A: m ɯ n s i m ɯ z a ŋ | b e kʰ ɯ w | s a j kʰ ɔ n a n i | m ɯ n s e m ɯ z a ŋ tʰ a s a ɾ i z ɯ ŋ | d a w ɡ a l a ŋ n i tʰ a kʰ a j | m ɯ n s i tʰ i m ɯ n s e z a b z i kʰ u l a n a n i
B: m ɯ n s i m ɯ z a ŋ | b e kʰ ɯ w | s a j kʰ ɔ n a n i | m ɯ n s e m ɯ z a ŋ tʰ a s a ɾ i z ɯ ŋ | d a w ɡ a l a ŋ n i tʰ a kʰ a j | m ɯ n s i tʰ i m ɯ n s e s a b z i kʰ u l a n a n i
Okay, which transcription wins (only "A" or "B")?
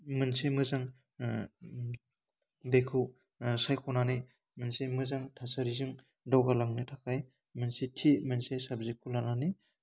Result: B